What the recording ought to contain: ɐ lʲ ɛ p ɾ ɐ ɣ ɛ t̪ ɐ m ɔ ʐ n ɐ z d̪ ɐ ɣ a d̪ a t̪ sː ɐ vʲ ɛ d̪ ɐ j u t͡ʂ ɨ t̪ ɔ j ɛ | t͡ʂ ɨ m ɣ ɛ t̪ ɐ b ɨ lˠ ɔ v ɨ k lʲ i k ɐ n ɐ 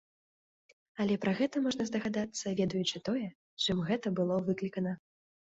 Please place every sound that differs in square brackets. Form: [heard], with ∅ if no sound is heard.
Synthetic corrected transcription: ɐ lʲ ɛ p ɾ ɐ ɣ ɛ t̪ ɐ m ɔ ʐ n ɐ z d̪ ɐ ɣ a d̪ a t̪ sː ɐ vʲ ɛ d̪ ɐ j u t͡ʂ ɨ t̪ ɔ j ɛ | t͡ʂ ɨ m ɣ ɛ t̪ ɐ b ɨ lˠ ɔ v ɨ k lʲ i k ɐ n ɐ